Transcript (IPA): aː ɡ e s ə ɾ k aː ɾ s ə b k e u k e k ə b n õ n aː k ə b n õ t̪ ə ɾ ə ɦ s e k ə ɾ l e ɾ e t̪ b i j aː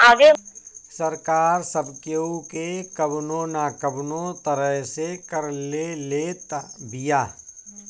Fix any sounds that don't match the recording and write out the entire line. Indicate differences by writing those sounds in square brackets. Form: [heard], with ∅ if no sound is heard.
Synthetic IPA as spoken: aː ɡ e s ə ɾ k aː ɾ s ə b k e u k e k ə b n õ n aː k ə b n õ t̪ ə ɾ ə ɦ s e k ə ɾ l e [l] e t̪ b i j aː